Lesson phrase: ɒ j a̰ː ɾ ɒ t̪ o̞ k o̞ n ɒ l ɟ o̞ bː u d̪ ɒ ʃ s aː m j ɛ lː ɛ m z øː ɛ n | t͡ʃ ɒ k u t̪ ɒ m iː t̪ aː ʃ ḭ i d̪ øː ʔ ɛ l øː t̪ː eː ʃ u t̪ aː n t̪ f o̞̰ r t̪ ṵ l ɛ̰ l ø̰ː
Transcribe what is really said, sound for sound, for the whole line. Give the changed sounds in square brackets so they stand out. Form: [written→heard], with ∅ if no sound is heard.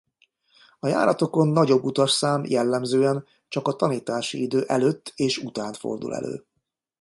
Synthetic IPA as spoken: ɒ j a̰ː ɾ ɒ t̪ o̞ k o̞ [n→nː] ɒ [l→∅] ɟ o̞ bː u [d̪→t̪] ɒ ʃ s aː m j ɛ lː ɛ m z øː ɛ n | t͡ʃ ɒ k [u→ɒ] t̪ ɒ [m→n] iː t̪ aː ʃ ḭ i d̪ øː ʔ ɛ l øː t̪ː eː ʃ u t̪ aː n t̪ f o̞̰ r [t̪→d̪] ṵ l ɛ̰ l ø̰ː